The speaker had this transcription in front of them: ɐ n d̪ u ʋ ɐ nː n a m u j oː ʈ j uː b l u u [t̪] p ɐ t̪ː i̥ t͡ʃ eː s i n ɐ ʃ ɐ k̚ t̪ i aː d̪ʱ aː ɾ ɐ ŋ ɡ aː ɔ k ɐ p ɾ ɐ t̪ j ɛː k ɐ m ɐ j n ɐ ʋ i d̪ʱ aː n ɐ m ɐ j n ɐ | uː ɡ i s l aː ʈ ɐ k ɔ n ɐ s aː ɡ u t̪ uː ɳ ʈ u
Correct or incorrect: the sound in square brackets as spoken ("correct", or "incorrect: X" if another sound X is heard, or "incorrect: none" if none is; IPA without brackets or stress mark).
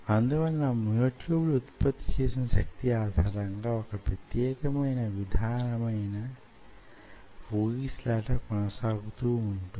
correct